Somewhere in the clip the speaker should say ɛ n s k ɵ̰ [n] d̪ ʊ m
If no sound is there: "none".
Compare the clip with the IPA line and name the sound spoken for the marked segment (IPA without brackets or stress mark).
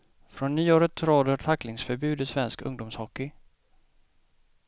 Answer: ŋ